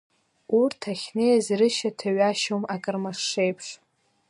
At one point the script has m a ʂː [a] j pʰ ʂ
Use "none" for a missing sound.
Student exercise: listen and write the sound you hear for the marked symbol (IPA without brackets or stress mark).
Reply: e